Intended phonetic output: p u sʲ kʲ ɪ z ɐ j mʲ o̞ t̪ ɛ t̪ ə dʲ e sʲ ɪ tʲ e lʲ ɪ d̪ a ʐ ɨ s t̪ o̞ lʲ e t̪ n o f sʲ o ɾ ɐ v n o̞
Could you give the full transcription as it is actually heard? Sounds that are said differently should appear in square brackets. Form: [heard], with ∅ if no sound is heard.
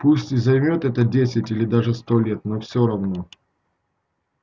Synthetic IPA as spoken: p u sʲ [tʲ] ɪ z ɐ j mʲ o̞ t̪ ɛ t̪ ə dʲ e sʲ ɪ tʲ [i] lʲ ɪ d̪ a ʐ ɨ s t̪ o̞ lʲ e t̪ n o f sʲ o ɾ ɐ v n o̞